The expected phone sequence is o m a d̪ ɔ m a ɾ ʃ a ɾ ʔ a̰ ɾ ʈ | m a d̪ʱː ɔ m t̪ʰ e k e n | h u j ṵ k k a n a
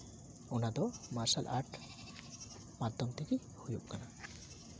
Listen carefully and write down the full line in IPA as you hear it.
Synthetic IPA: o n a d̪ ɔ m a ɾ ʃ a l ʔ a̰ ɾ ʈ | m a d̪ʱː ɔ m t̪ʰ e k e | h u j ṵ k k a n a